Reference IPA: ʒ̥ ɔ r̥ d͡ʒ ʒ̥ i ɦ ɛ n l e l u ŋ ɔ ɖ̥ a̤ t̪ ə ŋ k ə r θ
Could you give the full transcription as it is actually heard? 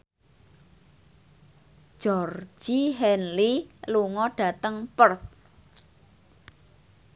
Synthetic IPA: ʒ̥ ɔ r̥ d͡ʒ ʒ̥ i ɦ ɛ n l i l u ŋ ɔ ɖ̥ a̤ t̪ ə ŋ p ə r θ